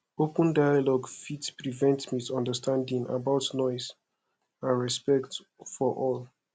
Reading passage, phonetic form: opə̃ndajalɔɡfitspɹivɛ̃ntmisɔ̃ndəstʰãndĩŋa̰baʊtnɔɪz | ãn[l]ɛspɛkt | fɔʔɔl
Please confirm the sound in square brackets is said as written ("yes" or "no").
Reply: no